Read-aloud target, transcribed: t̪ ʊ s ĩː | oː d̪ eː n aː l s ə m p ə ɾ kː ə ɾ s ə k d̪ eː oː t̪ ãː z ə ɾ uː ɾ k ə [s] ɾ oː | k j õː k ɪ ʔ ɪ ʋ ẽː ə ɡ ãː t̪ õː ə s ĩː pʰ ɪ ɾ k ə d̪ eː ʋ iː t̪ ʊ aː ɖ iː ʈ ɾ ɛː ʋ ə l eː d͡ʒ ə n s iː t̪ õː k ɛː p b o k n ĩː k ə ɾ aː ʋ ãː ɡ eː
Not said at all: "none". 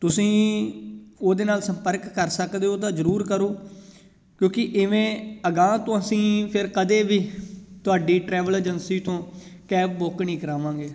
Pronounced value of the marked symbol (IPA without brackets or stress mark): none